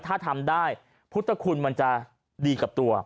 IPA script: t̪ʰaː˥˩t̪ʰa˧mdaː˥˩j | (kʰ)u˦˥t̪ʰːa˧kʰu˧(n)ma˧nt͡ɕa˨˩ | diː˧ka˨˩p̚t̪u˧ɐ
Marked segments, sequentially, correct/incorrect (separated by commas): incorrect, correct